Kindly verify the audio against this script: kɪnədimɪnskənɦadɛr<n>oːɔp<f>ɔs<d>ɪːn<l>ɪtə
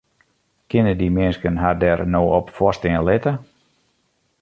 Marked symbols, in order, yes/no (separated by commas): yes, yes, no, yes